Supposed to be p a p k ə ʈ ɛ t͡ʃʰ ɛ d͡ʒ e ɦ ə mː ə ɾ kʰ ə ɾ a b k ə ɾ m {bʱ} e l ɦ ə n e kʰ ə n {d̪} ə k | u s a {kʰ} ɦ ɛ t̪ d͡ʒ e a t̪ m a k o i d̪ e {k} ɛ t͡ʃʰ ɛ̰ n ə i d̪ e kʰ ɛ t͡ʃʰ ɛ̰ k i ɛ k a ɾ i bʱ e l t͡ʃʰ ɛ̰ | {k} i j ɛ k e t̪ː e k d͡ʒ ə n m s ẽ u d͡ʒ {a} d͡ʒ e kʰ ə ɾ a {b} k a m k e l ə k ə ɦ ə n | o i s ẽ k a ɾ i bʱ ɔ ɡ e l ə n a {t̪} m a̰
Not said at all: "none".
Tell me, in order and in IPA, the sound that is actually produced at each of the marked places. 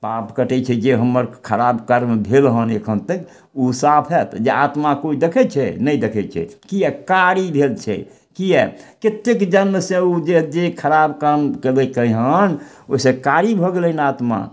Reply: bʱ, t̪, pʰ, kʰ, k, e, b, t̪

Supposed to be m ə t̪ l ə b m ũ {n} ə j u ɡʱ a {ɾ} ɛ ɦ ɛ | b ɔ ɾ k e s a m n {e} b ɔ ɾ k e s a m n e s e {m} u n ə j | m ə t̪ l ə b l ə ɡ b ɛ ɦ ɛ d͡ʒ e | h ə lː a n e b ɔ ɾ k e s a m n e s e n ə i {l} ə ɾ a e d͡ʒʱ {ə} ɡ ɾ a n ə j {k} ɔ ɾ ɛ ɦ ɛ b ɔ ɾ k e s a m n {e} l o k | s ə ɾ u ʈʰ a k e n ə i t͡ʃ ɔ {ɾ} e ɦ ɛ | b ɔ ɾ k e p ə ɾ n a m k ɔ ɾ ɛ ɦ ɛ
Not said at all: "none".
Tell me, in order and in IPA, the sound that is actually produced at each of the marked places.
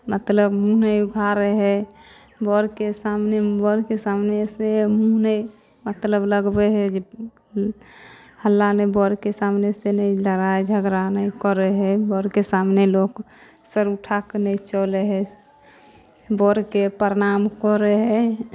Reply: n, ɾ, e, m, l, ə, k, e, l

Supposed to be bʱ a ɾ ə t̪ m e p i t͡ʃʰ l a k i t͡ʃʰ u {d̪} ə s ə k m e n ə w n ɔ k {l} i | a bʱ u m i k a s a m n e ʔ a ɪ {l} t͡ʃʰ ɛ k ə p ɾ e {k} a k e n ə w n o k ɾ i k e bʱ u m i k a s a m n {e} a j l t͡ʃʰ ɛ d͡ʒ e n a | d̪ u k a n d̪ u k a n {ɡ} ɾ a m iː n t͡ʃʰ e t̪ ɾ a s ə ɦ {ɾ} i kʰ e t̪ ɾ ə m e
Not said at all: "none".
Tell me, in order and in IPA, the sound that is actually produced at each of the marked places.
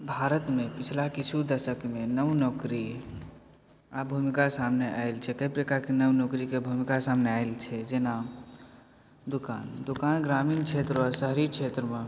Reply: d̪, ɾ, l, k, e, ɡ, ɾ

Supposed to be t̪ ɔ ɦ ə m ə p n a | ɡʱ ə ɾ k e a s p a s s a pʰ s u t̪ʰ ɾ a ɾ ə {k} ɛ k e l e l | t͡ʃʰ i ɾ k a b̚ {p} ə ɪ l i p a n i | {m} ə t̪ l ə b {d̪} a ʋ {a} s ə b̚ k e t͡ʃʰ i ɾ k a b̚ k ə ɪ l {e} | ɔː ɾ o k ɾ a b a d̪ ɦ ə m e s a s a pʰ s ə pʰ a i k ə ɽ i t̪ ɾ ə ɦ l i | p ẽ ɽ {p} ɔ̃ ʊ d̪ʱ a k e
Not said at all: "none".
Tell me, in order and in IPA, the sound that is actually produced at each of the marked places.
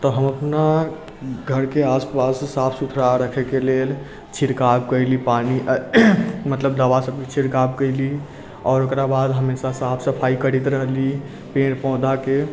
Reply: kʰ, k, m, d̪, a, i, p

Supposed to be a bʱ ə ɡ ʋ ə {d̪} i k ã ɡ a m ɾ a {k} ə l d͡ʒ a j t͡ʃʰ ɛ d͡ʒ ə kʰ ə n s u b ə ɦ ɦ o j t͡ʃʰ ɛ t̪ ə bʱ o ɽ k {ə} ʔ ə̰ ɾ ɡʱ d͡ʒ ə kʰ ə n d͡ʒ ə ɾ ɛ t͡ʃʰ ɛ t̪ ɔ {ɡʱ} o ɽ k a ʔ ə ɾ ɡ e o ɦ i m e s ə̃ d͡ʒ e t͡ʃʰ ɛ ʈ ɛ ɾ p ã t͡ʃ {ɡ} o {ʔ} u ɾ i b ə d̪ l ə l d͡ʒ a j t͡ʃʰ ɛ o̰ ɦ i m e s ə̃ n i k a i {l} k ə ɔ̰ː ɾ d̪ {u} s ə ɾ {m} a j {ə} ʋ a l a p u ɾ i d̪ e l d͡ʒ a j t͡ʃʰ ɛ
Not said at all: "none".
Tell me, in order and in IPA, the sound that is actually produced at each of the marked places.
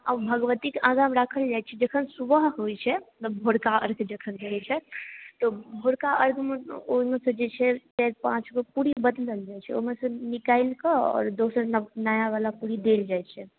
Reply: t̪, kʰ, a, bʱ, ɡ, p, l, o, n, a

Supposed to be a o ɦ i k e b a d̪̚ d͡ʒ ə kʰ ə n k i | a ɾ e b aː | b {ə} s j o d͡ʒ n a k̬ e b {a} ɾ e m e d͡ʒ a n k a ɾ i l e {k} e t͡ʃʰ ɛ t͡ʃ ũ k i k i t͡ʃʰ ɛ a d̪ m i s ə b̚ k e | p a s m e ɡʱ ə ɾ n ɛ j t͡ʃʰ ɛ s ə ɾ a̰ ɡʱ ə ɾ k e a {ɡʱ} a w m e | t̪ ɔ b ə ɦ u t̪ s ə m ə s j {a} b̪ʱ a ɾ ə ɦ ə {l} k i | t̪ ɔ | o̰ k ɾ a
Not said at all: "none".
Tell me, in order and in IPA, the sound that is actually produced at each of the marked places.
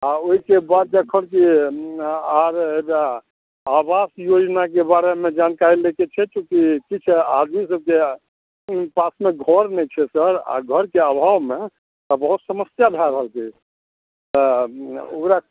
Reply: a, a, k, bʱ, a, l

